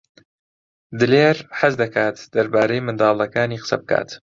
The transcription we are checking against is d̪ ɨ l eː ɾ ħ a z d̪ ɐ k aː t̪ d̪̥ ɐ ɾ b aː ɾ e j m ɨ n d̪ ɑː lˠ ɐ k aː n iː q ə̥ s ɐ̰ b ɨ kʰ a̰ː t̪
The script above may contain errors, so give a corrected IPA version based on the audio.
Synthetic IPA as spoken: d̪ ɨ l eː ɾ ħ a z d̪ ɐ k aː t̪ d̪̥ ɐ ɾ b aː ɾ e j m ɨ n d̪ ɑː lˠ ɐ k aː n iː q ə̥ s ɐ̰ b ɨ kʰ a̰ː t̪